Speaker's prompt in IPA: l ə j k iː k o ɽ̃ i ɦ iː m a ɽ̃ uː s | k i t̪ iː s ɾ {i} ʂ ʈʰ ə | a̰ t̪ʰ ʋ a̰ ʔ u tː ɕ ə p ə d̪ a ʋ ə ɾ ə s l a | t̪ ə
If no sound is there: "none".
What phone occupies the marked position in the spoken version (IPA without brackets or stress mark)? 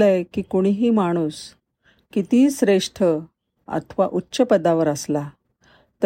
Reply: e